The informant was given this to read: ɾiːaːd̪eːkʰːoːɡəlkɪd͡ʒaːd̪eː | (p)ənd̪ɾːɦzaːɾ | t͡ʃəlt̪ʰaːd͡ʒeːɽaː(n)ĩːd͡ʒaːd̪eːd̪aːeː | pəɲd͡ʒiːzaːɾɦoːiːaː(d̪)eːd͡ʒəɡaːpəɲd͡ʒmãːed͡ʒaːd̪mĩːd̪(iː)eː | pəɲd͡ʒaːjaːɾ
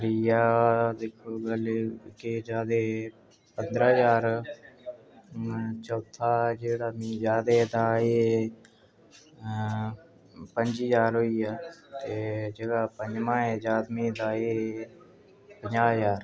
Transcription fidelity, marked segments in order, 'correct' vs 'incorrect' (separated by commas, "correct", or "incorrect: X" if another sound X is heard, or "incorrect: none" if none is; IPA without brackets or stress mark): correct, incorrect: m, incorrect: t̪, incorrect: aː